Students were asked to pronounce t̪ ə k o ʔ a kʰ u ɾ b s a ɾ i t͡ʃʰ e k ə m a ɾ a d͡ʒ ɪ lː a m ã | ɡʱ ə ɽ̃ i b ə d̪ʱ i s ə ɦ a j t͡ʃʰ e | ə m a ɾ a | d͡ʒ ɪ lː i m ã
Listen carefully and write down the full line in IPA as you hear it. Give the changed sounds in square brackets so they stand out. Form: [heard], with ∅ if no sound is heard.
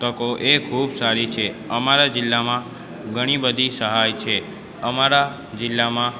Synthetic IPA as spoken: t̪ ə k o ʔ [e] kʰ u [∅] b s a ɾ i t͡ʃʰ e [∅] ə m a ɾ a d͡ʒ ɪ lː a m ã | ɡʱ ə ɽ̃ i b ə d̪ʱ i s ə ɦ a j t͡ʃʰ e | ə m a ɾ a | d͡ʒ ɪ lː [a] m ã